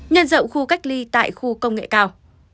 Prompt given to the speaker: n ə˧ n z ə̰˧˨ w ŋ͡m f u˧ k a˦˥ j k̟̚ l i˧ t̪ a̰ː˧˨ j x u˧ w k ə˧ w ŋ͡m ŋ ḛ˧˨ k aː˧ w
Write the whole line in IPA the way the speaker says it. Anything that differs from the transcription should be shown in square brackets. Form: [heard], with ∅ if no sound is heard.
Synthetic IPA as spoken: [ɲ] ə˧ n z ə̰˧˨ w ŋ͡m [x] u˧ k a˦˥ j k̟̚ l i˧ t̪ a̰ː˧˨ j x u˧ [∅] k ə˧ w ŋ͡m ŋ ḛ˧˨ k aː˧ w